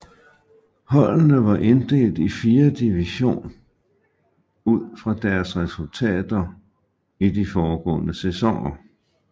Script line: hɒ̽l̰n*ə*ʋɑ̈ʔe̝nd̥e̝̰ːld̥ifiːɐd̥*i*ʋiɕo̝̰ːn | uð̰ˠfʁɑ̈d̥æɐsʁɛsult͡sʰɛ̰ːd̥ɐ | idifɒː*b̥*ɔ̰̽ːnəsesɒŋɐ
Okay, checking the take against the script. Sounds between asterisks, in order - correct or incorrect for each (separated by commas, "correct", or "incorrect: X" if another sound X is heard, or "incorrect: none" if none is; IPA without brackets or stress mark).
correct, correct, incorrect: ɡ̥